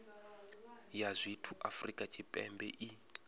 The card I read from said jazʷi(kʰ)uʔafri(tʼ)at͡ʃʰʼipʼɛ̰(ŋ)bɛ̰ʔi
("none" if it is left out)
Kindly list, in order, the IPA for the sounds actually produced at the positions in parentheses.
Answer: tʰ, kʼ, m

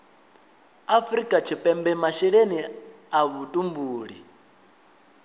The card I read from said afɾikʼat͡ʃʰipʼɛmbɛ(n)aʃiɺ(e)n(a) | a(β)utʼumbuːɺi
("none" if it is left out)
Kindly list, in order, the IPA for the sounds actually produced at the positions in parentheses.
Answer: m, e, i, β

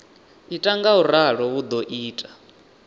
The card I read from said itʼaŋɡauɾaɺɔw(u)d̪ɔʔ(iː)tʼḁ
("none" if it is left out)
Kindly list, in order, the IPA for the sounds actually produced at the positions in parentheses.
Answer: u, iː

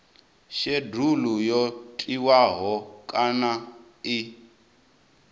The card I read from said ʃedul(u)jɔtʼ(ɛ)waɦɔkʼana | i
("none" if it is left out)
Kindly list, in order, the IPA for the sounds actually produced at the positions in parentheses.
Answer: u, i

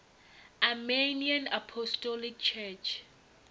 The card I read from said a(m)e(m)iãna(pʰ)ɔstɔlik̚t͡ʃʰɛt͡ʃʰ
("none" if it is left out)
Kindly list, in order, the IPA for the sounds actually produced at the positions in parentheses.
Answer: m, n, pʰ

